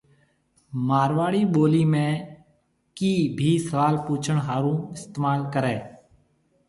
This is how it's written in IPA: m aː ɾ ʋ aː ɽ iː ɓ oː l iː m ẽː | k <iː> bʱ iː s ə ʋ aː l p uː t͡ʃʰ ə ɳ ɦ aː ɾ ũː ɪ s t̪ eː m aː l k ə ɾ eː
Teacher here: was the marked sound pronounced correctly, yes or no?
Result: yes